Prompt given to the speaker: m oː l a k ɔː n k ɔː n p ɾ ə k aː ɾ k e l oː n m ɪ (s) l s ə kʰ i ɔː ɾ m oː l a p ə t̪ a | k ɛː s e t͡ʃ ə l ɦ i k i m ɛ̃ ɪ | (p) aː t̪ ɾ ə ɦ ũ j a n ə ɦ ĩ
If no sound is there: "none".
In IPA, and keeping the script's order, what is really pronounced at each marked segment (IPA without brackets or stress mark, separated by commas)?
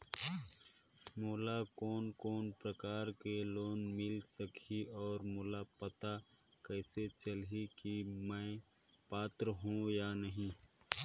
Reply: none, p